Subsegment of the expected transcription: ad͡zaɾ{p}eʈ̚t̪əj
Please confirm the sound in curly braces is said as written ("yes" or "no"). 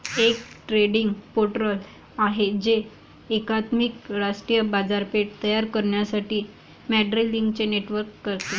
yes